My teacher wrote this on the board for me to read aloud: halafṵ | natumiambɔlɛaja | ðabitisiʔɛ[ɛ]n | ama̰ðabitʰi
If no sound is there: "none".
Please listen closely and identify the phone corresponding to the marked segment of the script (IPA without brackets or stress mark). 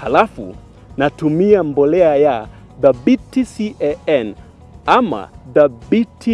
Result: ɛ